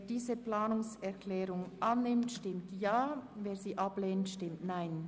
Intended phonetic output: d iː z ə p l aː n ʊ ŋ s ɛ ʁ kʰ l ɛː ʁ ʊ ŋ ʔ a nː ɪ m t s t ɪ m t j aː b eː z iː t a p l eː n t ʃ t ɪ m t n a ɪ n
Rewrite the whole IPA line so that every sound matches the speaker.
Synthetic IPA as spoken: d iː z ə p l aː n ʊ ŋ s ɛ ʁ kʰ l ɛː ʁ ʊ ŋ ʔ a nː ɪ m t ʃ t ɪ m t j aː v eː z iː ʔ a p l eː n t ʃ t ɪ m t n a ɪ n